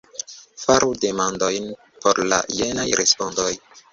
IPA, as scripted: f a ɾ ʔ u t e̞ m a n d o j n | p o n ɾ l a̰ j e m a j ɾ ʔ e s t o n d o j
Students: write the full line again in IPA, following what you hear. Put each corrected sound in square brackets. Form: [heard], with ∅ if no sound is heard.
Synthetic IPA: f a ɾ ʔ u [d] e̞ m a n d o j n | p o [∅] ɾ l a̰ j e [n] a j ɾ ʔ e s [p] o n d o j